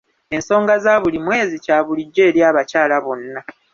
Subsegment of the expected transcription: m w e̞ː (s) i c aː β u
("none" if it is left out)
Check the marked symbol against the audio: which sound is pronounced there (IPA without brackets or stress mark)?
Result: z